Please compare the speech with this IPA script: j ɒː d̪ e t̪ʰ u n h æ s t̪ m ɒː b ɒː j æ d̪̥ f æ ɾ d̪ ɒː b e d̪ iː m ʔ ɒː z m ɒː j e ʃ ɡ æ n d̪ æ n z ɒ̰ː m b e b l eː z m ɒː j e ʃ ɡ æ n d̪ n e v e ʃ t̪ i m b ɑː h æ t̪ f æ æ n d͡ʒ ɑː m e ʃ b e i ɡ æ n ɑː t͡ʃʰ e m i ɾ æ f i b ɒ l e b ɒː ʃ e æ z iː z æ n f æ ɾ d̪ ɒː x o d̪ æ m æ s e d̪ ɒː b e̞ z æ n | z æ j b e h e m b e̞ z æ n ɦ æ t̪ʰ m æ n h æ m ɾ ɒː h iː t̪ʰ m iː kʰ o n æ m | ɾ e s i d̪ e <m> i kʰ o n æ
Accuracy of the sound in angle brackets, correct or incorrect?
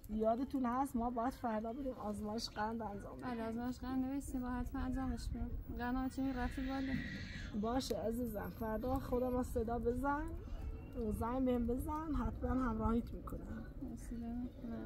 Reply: correct